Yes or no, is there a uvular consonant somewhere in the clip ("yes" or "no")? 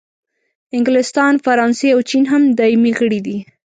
no